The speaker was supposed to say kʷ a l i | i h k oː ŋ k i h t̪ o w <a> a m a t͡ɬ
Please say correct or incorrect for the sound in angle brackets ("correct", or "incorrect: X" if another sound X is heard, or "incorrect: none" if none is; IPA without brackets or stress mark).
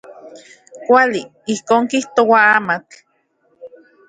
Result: correct